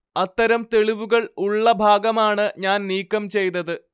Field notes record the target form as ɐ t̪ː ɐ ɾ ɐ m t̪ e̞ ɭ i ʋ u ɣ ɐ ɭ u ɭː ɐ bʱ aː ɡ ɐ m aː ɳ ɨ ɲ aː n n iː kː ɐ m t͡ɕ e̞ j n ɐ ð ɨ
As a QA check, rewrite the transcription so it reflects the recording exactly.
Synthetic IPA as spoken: ɐ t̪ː ɐ ɾ ɐ m t̪ e̞ ɭ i ʋ u ɣ ɐ ɭ u ɭː ɐ bʱ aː ɡ ɐ m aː ɳ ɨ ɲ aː n n iː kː ɐ m t͡ɕ e̞ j n ɐ ð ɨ